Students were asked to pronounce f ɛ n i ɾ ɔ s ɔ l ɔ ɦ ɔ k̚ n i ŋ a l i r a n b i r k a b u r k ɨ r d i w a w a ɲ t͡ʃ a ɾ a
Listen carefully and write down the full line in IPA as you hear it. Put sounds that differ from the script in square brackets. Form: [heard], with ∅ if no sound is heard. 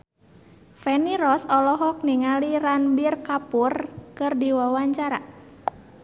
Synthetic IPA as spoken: f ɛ n i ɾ ɔ s ɔ l ɔ ɦ ɔ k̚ n i ŋ a l i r a n b i r k a [p] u r k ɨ r d i w a w a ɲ t͡ʃ a ɾ a